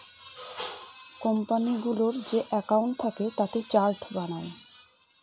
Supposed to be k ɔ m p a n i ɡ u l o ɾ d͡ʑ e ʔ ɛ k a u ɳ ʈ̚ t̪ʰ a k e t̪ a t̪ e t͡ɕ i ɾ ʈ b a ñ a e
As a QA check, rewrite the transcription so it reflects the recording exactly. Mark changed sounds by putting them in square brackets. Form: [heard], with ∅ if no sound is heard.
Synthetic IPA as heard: k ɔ m p a n i ɡ u l o ɾ d͡ʑ e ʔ ɛ k a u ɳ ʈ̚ t̪ʰ a k e t̪ a t̪ e t͡ɕ [a] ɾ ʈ b a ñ a e